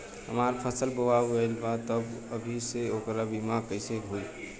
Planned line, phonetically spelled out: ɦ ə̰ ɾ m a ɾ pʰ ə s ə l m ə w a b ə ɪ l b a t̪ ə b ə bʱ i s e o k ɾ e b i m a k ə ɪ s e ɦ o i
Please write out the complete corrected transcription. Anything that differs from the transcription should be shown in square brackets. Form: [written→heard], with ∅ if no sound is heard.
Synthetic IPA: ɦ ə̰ [ɾ→∅] m a ɾ pʰ ə s ə l [m→b] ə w a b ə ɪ l b a t̪ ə b ə bʱ i s e o k ɾ [e→a] b i m a k ə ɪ s e ɦ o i